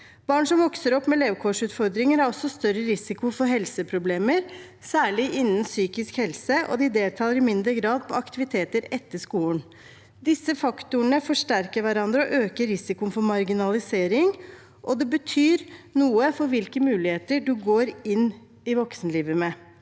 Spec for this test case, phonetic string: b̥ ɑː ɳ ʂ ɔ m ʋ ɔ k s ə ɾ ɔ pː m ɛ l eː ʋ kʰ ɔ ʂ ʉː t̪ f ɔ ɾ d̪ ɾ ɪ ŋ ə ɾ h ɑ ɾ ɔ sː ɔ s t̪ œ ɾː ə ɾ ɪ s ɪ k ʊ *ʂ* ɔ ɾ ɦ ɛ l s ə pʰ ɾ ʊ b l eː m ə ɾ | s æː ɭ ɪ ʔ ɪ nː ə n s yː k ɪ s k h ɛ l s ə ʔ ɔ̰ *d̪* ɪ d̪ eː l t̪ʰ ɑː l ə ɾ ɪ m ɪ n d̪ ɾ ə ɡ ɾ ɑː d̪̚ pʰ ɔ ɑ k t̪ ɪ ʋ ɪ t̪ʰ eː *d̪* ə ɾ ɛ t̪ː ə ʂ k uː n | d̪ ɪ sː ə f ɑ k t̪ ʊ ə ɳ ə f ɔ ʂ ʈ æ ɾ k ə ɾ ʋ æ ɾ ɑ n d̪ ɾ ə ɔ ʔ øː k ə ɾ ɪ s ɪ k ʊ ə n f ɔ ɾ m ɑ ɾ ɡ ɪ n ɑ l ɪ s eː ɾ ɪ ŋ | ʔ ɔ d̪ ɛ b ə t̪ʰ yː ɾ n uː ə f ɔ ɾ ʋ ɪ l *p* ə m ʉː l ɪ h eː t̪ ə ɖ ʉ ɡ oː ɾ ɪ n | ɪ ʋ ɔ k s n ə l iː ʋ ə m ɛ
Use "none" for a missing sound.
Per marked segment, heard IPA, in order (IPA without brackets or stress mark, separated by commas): f, d̪, t̪, k